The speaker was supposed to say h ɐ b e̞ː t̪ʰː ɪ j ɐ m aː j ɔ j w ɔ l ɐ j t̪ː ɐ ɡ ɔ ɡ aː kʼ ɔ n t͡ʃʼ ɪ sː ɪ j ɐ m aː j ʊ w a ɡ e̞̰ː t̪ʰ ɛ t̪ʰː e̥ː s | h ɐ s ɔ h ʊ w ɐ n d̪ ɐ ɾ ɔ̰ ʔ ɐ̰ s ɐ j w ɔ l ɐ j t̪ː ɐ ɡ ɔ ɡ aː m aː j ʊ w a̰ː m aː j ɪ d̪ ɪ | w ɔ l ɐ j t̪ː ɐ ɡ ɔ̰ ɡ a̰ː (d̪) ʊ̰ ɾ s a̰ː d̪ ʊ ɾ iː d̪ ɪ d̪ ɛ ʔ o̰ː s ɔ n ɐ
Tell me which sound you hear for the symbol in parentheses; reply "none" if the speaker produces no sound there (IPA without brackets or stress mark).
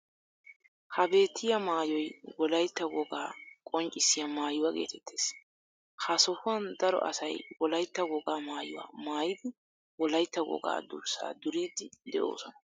d̪